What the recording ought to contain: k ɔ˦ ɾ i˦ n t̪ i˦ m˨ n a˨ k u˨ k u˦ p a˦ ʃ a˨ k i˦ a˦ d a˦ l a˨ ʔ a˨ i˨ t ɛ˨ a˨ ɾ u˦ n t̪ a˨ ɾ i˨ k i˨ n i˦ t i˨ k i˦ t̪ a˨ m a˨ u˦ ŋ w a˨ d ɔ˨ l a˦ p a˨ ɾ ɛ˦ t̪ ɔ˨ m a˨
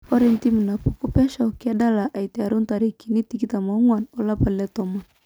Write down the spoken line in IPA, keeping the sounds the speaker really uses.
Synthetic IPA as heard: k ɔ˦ ɾ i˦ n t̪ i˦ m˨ n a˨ p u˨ k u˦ p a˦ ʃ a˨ k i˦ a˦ d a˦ l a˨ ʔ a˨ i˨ t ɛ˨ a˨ ɾ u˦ n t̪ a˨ ɾ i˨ k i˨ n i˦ t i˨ k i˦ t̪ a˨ m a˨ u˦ ŋ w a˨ n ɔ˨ l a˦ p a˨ l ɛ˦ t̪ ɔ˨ m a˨